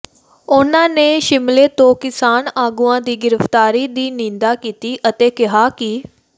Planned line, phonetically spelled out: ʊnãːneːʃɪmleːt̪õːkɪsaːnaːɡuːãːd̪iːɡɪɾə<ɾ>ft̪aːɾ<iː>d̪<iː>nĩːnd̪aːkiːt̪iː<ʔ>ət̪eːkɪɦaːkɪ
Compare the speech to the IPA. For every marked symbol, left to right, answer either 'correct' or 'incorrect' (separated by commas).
incorrect, correct, correct, correct